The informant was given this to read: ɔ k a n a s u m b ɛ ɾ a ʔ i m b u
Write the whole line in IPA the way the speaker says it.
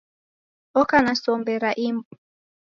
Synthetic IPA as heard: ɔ k a n a s ɔ m b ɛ ɾ a ʔ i m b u

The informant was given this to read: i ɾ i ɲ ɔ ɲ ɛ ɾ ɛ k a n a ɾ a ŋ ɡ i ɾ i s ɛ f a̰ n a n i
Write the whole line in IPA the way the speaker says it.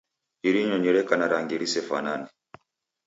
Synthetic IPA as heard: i ɾ i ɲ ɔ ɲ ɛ ɾ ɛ k a n a ɾ a ŋ ɡ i ɾ i s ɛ f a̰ n a n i

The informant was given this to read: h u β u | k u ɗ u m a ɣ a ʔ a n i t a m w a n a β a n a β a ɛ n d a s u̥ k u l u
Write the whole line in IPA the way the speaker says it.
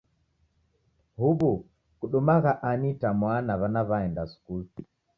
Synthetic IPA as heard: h u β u | k u ɗ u m a ɣ a ʔ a n i t a m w a n a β a n a β a ɛ n d a s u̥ k u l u

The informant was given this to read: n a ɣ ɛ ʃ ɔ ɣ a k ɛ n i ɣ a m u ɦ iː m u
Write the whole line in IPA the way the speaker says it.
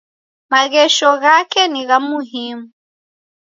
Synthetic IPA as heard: m a ɣ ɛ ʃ ɔ ɣ a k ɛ n i ɣ a m u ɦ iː m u

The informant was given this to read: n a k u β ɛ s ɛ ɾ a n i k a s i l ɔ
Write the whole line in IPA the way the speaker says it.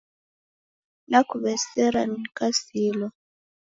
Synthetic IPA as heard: n a k u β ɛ s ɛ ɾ a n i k a s i l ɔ

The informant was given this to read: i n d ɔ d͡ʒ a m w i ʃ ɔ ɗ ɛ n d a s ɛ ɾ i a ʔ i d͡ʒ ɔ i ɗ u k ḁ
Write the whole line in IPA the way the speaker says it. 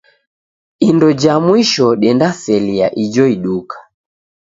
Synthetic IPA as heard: i n d ɔ d͡ʒ a m w i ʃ ɔ ɗ ɛ n d a s ɛ l i a ʔ i d͡ʒ ɔ i ɗ u k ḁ

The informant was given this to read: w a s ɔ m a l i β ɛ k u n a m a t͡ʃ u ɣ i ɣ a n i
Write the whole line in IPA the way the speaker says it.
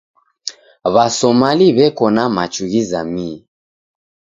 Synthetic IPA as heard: β a s ɔ m a l i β ɛ k ɔ n a m a t͡ʃ u ɣ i z a m i

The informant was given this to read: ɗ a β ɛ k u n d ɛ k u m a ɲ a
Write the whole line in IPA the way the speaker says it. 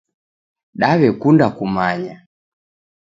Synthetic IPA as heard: ɗ a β ɛ k u n d a k u m a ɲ a

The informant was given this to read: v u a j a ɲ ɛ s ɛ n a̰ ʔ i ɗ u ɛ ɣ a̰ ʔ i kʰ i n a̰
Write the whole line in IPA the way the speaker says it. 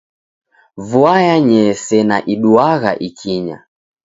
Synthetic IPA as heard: v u a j a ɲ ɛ s ɛ n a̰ ʔ i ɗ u a ɣ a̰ ʔ i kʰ i ɲ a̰

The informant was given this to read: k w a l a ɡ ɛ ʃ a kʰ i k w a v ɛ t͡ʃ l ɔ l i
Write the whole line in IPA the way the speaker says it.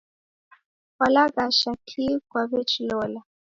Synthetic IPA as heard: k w a l a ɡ a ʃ a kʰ i k w a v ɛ t͡ʃ l ɔ l a

